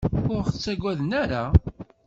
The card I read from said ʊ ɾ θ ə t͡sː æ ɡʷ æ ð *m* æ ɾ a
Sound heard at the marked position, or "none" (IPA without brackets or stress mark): n